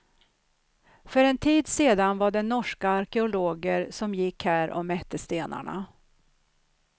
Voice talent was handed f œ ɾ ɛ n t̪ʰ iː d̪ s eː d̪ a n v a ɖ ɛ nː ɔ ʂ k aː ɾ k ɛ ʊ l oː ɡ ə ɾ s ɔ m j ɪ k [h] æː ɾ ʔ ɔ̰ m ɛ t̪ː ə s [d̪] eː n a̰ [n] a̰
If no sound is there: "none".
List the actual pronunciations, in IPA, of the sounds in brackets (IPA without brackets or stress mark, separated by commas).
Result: h, t̪, ɳ